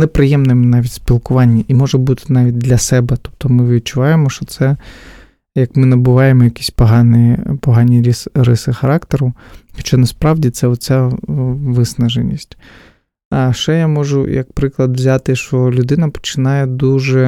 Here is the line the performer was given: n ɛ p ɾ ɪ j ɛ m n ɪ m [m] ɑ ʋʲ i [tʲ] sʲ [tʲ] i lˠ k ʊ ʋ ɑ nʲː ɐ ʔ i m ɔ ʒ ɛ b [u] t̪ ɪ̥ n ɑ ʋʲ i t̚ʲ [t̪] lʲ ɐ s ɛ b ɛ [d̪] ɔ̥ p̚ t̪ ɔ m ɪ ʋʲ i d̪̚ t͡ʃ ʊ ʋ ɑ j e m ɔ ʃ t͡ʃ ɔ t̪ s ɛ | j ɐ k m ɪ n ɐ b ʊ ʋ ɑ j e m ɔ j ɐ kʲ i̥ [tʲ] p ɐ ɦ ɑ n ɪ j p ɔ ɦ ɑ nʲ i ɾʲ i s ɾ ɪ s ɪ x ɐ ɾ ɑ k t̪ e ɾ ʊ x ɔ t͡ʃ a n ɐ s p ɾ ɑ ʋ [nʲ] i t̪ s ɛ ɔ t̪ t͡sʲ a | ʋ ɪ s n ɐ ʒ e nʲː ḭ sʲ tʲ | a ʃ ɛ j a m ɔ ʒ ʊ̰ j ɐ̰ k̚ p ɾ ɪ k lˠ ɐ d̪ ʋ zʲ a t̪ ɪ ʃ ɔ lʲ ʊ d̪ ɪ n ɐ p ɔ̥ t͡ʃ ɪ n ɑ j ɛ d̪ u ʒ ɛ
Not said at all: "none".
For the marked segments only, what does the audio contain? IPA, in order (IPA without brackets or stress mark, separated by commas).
n, tʲ, pʲ, u, d̪, t̪, sʲ, dʲ